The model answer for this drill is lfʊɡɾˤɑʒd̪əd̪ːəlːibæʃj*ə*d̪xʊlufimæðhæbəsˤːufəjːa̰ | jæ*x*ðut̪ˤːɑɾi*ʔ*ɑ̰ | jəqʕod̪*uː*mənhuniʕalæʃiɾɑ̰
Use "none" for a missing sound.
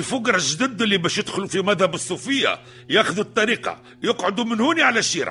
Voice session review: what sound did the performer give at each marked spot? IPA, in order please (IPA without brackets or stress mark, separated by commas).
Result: ə, x, q, u